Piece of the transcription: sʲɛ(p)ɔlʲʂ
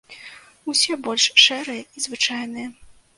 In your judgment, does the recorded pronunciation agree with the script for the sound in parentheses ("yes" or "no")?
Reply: no